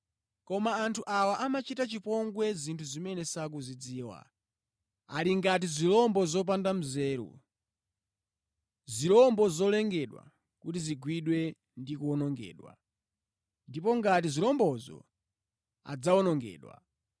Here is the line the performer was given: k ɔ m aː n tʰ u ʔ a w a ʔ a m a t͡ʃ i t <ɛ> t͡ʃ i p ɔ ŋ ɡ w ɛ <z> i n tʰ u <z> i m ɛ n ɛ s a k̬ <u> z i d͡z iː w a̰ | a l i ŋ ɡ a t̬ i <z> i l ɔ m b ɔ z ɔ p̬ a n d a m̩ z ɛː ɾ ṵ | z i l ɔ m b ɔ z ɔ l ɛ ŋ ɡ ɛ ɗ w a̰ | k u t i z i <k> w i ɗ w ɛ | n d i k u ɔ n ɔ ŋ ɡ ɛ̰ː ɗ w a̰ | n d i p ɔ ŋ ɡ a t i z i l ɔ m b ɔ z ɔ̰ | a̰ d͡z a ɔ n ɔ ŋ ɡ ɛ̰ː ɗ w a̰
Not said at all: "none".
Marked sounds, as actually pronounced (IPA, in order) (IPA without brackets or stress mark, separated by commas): a, z, z, u, z, ɡ